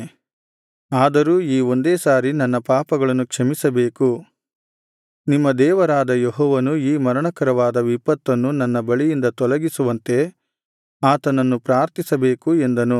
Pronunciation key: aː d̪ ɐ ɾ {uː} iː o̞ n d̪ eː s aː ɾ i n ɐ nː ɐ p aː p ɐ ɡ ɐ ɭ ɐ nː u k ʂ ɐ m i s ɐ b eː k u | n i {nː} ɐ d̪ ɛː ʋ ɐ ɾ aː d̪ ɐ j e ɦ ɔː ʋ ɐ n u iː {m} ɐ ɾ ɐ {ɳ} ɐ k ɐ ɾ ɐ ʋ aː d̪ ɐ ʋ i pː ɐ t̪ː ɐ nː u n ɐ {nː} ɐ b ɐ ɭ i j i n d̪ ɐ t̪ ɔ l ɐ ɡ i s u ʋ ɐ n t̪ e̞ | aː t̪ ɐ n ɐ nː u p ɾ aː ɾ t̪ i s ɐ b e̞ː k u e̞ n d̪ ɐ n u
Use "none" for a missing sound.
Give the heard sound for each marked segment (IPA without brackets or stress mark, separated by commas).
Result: uː, mː, m, ɳ, nː